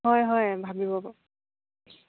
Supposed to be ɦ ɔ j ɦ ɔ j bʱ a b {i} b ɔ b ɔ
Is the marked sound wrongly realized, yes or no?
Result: no